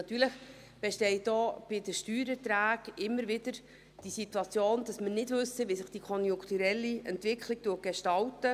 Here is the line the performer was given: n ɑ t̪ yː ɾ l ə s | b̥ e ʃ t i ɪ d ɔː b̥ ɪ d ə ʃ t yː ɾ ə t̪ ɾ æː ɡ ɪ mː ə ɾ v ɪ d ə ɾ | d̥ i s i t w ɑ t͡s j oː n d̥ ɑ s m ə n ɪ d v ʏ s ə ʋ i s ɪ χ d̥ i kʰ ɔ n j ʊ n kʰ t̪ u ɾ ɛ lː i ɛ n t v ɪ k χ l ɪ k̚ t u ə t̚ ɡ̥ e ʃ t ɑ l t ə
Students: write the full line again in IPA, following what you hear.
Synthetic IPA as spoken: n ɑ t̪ yː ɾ l ə χ | b̥ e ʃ t ɛ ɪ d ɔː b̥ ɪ d ə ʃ t yː ɾ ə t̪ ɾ æː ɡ ɪ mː ə ɾ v ɪ d ə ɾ | d̥ i s i t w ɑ t͡s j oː n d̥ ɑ s m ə n ɪ d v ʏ s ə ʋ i s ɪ χ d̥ i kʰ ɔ n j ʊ ŋ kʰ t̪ u ɾ ɛ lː i ɛ n t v ɪ k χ l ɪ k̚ t u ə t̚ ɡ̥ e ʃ t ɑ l t ə